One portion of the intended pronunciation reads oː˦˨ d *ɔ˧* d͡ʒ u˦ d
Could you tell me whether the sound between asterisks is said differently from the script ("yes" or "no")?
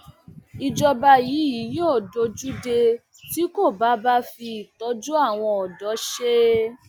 yes